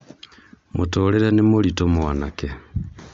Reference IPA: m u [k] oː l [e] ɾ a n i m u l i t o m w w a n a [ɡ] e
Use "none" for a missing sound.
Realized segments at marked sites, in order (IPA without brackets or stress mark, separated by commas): t, e, k